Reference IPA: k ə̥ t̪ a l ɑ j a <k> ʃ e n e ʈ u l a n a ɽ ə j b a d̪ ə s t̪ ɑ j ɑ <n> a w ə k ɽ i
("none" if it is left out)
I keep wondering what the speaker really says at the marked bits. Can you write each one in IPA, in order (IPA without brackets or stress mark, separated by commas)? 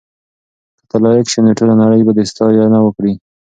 k, n